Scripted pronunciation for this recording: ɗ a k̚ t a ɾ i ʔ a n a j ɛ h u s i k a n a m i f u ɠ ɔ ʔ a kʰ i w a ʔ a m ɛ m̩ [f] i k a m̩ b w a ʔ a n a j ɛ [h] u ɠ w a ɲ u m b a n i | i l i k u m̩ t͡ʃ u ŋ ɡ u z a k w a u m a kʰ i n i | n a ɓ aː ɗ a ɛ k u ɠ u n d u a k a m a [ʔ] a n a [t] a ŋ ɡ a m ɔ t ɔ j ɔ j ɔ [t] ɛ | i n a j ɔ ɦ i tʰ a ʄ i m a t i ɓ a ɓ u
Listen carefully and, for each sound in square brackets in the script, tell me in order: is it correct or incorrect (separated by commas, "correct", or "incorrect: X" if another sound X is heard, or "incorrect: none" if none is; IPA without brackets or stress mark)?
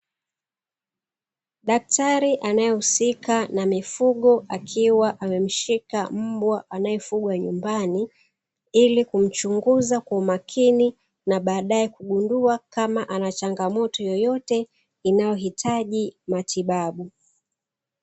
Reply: incorrect: ʃ, incorrect: f, correct, incorrect: t͡ʃ, correct